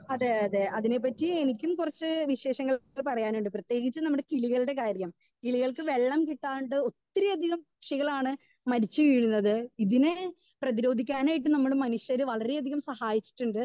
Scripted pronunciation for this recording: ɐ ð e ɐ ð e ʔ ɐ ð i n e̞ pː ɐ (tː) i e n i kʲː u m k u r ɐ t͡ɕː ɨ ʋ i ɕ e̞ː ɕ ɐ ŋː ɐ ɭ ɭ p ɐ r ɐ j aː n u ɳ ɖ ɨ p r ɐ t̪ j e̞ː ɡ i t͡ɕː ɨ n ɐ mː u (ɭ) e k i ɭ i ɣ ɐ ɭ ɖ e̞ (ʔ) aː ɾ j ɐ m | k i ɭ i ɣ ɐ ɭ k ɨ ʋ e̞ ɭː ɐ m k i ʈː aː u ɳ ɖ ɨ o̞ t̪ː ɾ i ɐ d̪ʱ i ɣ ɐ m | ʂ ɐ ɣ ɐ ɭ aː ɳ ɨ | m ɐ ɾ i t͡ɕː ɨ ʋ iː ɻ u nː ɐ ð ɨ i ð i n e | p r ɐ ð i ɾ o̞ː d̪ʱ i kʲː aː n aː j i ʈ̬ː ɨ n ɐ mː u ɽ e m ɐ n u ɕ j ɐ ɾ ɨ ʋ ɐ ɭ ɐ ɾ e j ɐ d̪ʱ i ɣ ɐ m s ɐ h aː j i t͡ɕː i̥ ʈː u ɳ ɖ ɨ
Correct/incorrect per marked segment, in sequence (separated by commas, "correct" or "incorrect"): correct, incorrect, incorrect